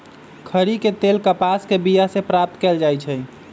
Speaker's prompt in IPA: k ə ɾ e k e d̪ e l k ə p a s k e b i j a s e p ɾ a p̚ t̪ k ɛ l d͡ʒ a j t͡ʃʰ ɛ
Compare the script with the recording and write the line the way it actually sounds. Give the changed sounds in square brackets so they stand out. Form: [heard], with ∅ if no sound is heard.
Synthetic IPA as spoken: [kʰ] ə ɾ [i] k e [t̪] e l k ə p a s k e b i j a s e p ɾ a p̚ t̪ k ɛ l d͡ʒ a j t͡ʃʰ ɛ